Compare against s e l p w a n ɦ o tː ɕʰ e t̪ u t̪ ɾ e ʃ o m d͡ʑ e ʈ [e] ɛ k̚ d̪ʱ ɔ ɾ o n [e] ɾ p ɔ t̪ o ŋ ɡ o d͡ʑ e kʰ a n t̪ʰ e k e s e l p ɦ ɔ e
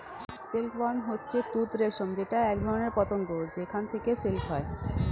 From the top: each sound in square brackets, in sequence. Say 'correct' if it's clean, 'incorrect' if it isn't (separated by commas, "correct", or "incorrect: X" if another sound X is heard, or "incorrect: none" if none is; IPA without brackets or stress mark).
incorrect: a, correct